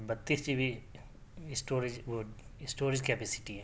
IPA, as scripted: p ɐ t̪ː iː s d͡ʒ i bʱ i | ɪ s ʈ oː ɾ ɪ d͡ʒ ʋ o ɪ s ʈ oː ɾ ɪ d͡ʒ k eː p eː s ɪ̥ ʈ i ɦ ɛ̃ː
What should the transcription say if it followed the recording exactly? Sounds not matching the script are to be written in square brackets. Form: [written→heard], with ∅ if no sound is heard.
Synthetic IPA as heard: [p→b] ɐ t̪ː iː s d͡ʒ i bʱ i | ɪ s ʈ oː ɾ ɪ d͡ʒ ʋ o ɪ s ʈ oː ɾ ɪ d͡ʒ k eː p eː s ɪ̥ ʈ i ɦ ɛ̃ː